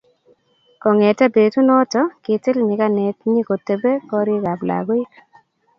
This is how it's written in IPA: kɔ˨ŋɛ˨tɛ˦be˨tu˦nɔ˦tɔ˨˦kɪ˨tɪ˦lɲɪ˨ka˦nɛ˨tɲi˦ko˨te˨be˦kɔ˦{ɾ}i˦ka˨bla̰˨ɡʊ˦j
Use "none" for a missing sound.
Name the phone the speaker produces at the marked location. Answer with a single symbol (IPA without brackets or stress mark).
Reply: ɾ